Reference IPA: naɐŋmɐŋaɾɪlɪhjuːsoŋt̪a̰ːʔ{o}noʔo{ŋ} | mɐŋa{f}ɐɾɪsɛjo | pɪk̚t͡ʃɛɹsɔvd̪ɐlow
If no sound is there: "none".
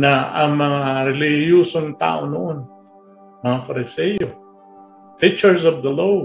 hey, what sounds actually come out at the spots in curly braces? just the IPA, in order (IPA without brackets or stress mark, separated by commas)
o, n, f